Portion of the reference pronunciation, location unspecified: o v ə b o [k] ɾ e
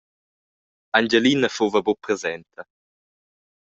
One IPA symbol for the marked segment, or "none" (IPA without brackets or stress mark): p